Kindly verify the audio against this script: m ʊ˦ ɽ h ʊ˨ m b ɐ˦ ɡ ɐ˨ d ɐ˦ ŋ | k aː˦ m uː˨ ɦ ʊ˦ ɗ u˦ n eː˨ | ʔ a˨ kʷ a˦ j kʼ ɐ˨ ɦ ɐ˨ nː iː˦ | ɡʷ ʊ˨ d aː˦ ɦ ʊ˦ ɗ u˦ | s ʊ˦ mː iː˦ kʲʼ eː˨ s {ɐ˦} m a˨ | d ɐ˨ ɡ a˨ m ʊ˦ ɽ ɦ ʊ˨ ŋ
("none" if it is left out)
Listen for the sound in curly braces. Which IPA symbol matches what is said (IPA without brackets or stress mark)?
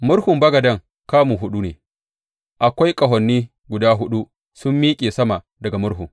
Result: ɐ˦